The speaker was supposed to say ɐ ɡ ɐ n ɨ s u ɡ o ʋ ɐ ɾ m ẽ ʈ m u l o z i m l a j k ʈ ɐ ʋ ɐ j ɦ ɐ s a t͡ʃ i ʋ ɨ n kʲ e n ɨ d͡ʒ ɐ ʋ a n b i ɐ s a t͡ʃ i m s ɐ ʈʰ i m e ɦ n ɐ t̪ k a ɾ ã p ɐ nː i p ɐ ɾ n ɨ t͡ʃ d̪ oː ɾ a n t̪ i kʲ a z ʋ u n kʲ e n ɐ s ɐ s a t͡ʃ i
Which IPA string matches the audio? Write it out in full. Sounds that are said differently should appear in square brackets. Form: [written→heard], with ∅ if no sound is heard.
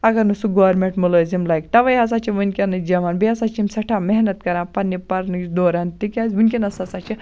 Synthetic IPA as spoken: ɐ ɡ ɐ n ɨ s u ɡ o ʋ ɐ ɾ m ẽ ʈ m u l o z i m l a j k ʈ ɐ ʋ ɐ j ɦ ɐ s a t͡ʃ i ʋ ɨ n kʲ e n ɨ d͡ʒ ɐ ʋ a n b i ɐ s a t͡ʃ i m s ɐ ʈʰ [i→a] m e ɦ n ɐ t̪ k [a→ɐ] ɾ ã p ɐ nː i p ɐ ɾ n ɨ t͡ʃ d̪ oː ɾ a n t̪ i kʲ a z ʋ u n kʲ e n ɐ s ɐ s a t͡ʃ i